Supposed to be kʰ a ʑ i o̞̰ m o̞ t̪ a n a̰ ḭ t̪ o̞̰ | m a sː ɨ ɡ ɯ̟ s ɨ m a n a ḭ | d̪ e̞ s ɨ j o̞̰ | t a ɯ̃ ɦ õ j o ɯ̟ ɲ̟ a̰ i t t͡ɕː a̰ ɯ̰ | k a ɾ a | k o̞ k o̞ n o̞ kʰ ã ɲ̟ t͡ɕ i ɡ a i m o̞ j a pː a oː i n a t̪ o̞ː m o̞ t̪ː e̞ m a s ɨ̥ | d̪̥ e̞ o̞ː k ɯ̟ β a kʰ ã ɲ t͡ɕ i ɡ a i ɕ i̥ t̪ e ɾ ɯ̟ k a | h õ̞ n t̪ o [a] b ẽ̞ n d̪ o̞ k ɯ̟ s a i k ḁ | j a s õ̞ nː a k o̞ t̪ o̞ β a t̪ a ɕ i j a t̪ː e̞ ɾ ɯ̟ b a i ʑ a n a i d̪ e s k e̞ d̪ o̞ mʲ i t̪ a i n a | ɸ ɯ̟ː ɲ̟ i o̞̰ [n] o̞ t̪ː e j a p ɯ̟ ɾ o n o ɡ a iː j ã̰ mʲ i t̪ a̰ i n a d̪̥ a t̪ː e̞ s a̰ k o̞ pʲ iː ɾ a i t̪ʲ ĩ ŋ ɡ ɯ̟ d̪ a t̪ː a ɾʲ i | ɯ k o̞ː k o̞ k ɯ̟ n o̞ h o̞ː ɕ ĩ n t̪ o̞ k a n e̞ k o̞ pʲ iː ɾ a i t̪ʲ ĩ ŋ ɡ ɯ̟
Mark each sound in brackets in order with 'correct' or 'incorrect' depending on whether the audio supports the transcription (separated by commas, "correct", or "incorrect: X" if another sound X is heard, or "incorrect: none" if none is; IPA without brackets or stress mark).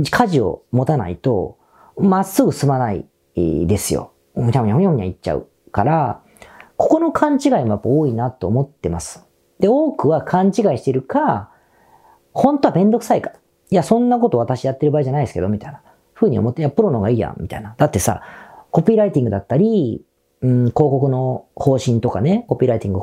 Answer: correct, incorrect: m